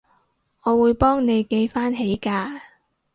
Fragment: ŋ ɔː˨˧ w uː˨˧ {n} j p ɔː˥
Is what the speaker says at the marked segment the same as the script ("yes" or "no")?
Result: no